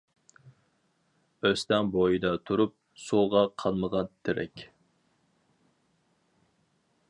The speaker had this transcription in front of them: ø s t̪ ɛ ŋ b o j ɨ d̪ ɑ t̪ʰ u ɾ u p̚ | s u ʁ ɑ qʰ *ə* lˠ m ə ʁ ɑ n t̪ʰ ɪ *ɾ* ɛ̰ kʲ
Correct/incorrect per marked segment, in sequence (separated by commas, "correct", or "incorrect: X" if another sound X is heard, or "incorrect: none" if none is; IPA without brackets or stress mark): incorrect: ɑ, correct